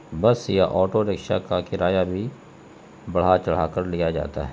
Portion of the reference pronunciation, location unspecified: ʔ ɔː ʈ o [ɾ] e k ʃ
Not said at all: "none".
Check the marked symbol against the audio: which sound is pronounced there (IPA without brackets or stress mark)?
ɾ